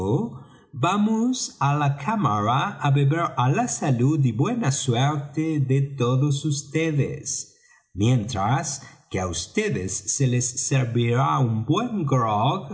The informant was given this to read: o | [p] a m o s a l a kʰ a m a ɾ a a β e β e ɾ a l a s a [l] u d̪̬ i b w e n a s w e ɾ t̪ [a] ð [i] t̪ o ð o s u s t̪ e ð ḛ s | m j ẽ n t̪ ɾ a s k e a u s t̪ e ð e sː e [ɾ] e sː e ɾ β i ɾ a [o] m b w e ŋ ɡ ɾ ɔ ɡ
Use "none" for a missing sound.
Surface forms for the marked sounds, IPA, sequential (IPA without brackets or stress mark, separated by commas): b, l, e, e, l, u